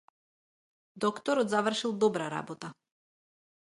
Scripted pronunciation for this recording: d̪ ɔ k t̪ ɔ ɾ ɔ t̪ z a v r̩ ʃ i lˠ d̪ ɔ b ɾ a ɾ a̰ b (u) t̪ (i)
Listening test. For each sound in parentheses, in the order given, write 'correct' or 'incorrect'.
incorrect, incorrect

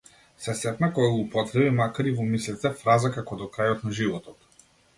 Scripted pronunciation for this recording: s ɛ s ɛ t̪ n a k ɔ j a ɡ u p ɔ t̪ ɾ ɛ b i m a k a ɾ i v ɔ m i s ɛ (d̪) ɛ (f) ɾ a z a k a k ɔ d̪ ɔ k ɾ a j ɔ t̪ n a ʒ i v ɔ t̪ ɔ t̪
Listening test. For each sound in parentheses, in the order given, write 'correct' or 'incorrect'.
incorrect, correct

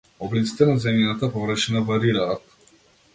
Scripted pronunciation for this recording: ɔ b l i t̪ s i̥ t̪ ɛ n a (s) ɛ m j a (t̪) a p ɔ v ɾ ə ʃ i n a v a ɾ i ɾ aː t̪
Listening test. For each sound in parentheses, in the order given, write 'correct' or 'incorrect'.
incorrect, correct

